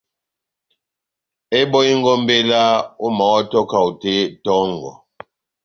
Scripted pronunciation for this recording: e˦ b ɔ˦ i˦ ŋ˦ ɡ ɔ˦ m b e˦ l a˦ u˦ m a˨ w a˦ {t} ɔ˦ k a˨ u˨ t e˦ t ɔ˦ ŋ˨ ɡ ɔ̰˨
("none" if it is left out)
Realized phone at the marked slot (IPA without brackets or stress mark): t